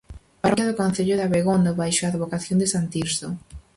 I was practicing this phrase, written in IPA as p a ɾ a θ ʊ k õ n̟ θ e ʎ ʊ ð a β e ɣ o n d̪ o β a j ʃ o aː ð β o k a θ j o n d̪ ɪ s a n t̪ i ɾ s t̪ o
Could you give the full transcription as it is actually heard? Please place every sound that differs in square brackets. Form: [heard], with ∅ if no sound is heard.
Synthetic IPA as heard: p a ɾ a [ð] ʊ k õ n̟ θ e ʎ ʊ ð a β e ɣ o n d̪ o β a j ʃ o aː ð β o k a θ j o n d̪ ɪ s a n t̪ i ɾ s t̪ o